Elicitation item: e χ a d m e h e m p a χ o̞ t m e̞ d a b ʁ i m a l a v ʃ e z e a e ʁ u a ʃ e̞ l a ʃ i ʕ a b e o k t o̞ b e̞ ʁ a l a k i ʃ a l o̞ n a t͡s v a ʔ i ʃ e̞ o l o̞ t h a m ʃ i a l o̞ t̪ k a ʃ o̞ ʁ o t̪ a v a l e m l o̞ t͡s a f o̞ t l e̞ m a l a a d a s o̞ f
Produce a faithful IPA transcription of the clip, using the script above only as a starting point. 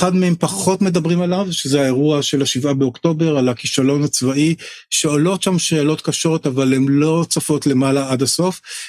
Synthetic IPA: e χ a d m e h e m p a χ o̞ t m e̞ d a b ʁ i m a l a v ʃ e z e a e ʁ u a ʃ e̞ l a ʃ i v a b e o k t o̞ b e̞ ʁ a l a k i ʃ a l o̞ n a t͡s v a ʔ i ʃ e̞ o l o̞ t ʃ a m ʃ e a l o̞ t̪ k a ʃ o̞ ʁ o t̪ a v a l e m l o̞ t͡s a f o̞ t l e̞ m a l a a d a s o̞ f